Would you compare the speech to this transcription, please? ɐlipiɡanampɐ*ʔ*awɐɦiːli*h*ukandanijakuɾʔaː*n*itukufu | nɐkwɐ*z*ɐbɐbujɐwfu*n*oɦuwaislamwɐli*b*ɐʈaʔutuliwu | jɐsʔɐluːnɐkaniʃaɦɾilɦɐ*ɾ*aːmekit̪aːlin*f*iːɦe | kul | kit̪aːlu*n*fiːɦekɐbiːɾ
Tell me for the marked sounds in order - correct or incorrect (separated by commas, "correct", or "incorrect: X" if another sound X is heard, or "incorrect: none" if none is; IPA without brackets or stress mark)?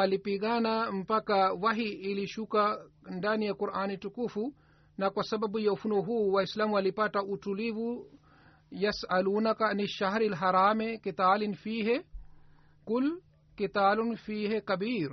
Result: incorrect: k, incorrect: ʃ, correct, incorrect: s, correct, incorrect: p, correct, correct, correct